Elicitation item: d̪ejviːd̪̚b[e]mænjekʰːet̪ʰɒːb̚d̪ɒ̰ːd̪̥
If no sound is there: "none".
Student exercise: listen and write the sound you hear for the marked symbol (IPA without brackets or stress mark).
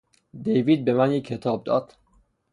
e